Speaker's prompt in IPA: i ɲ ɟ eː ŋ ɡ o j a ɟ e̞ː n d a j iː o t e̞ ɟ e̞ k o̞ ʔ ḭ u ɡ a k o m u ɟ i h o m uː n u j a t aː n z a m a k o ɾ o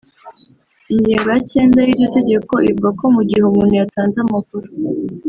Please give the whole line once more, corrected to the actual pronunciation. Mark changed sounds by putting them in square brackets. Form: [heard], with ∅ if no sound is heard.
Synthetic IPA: i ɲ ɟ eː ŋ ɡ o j a [c] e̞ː n d a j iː o t e̞ ɟ e̞ k o̞ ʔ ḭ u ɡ a k o m u ɟ i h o m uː n u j a t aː n z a m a k [u] ɾ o